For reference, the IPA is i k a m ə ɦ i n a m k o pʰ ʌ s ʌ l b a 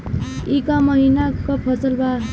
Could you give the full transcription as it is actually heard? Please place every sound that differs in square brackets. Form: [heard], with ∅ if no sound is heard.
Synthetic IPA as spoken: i k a m [ʌ] ɦ i n a [∅] k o pʰ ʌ s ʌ l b a